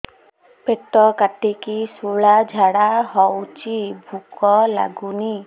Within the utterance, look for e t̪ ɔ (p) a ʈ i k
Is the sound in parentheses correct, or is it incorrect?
incorrect